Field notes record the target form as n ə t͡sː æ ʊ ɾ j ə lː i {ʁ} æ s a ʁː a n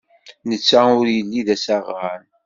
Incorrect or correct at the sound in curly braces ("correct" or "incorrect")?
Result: incorrect